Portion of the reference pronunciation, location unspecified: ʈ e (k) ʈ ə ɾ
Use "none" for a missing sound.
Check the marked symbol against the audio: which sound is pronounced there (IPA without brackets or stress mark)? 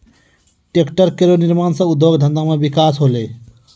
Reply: k